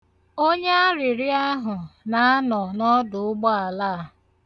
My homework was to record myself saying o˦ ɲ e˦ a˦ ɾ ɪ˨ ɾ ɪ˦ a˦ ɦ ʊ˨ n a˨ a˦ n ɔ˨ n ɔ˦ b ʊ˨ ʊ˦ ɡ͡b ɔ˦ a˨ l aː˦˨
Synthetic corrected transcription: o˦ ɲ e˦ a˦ ɾ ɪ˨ ɾ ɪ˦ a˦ ɦ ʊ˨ n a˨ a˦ n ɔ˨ n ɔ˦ d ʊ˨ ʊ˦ ɡ͡b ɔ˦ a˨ l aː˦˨